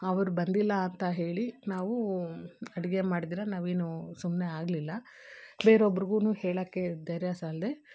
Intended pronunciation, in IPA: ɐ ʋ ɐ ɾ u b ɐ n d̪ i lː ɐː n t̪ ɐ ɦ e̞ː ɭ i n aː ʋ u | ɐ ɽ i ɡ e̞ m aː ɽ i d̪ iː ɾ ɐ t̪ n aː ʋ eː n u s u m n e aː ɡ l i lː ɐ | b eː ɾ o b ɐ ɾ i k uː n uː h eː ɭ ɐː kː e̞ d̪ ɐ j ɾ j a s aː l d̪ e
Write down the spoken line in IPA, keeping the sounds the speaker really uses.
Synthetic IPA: ɐ ʋ ɐ ɾ u b ɐ n d̪ i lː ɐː n t̪ ɐ ɦ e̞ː ɭ i n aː ʋ u | ɐ ɽ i ɡ e̞ m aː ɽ i d̪ iː ɾ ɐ n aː ʋ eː n u s u m n e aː ɡ l i lː ɐ | b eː ɾ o b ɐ ɾ i ɡ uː n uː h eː ɭ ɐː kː e̞ d̪ ɐ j ɾ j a s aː l d̪ e